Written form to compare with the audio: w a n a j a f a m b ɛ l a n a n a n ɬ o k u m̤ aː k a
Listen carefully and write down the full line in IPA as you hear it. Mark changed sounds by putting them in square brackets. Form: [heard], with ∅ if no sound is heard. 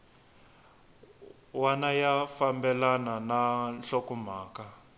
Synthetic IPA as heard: w a n a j a f a m b ɛ l a n a n a n ɬ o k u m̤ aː k a